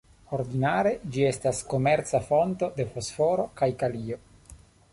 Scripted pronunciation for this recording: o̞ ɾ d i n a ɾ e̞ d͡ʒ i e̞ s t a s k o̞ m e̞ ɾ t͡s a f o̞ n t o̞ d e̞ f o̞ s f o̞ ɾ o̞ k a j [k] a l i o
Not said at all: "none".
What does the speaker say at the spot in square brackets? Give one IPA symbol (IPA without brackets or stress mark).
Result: k